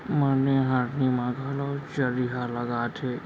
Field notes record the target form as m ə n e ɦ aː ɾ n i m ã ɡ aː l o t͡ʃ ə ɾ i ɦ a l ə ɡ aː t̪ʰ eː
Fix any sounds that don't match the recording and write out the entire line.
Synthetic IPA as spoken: m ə n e ɦ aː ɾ n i m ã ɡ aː l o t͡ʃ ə ɾ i ɦ a l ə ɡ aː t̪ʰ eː

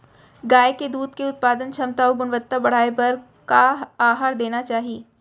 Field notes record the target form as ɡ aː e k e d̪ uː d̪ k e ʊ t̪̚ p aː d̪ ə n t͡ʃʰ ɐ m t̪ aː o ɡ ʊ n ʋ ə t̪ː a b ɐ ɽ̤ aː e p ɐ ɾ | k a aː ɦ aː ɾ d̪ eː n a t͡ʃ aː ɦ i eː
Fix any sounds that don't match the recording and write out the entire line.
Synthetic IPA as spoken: ɡ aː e k e d̪ uː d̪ k e ʊ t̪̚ p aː d̪ ə n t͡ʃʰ ɐ m t̪ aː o ɡ ʊ n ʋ ə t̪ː a b ɐ ɽ̤ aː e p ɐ ɾ | k a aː ɦ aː ɾ d̪ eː n a t͡ʃ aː ɦ i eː

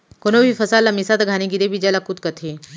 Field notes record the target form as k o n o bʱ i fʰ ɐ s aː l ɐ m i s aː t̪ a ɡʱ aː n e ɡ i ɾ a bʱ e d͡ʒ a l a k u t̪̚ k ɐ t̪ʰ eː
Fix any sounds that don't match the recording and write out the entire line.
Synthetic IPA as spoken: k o n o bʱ i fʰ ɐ s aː l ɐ m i s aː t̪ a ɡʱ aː n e ɡ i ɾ e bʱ i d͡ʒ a l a k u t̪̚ k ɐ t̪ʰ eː

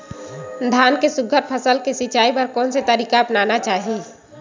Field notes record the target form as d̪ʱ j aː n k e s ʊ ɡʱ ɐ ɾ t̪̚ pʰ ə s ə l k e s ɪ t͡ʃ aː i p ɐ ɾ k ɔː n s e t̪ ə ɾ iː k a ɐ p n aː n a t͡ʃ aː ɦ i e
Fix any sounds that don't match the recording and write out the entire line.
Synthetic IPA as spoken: d̪ʱ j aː n k e s ʊ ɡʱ ə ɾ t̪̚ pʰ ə s ə l k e s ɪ t͡ʃ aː i p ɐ ɾ k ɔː n s e t̪ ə ɾ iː k a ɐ p n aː n a t͡ʃ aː ɦ i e

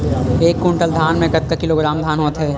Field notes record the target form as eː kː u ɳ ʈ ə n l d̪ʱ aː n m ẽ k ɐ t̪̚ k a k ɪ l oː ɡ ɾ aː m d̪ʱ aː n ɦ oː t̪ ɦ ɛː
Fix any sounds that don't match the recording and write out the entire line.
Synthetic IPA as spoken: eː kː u ɳ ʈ ə l d̪ʱ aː n m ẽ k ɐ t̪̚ k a k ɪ l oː ɡ ɾ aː m d̪ʱ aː n ɦ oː t̪ ɦ ɛː

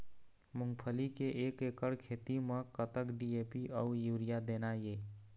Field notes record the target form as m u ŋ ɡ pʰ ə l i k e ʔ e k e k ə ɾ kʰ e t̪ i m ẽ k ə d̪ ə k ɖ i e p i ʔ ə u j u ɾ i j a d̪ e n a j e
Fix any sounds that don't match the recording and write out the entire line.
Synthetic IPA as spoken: m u ŋ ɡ pʰ ə l i k e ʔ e k e k ə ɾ kʰ e t̪ i m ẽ k ə t̪ ə k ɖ i e p i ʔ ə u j u ɾ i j a d̪ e n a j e

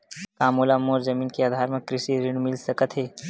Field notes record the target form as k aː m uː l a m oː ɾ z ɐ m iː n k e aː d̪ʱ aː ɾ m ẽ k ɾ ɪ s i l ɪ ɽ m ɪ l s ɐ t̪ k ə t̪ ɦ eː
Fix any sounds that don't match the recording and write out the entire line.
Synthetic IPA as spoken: k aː m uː l a m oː ɾ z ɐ m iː n k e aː d̪ʱ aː ɾ m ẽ k ɾ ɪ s i ɾ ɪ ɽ m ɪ l s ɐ k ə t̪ ɦ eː

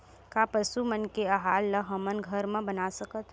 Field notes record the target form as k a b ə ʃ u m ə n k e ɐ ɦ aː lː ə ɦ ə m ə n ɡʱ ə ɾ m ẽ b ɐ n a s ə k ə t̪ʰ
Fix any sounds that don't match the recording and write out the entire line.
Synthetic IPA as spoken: k a p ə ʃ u m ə n k e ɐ ɦ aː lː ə ɦ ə m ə n ɡʱ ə ɾ m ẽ b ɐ n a s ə k ə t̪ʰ

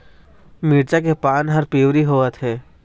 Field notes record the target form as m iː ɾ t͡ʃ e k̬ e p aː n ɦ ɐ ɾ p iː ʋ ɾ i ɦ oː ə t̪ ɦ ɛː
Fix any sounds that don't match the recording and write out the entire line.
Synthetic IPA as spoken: m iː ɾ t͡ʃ a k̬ e p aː n ɦ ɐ ɾ p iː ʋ ɾ i ɦ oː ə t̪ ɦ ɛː

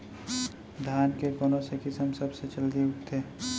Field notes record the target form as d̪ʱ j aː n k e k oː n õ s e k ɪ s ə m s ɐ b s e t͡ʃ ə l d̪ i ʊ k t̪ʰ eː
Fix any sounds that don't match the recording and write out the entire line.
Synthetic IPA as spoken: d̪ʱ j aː n k e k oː n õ s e k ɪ s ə m s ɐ b s e t͡ʃ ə l d̪ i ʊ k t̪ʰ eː

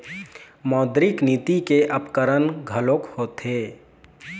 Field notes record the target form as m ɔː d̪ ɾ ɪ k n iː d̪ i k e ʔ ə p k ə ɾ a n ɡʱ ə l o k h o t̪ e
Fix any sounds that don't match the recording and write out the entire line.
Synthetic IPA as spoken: m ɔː d̪ ɾ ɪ k n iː t̪ i k e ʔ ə p k ə ɾ ə n ɡʱ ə l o k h o t̪ e

